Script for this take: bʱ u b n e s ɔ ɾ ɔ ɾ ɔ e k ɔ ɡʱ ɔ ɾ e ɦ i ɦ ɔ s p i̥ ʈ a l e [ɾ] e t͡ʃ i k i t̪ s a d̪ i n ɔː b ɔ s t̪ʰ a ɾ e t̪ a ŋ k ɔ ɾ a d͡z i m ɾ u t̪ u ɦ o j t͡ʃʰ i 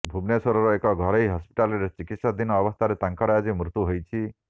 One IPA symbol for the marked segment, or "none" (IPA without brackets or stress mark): ɾ